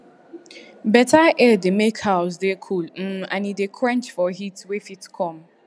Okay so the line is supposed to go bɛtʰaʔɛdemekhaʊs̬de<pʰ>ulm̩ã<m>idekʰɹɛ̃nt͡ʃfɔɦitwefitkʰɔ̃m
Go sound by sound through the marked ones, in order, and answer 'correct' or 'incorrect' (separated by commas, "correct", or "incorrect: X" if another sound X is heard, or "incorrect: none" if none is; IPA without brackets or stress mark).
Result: incorrect: kʰ, incorrect: n